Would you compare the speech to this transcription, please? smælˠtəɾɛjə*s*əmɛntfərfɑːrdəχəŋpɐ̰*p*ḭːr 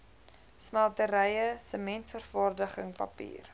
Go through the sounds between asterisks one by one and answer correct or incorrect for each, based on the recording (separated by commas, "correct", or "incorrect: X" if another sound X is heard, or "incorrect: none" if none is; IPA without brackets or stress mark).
correct, correct